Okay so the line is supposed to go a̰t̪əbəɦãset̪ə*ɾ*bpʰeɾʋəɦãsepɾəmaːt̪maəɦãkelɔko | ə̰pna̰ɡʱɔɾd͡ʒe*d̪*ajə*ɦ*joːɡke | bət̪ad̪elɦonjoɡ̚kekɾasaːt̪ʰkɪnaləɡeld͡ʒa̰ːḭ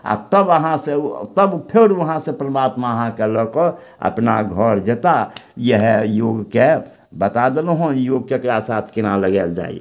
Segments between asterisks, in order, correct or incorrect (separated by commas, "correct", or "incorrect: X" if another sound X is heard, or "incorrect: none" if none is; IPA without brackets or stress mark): incorrect: none, incorrect: t̪, correct